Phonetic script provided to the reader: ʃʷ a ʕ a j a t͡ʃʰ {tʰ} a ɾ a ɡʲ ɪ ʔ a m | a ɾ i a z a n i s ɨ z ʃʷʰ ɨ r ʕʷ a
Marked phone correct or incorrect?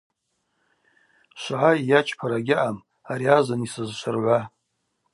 incorrect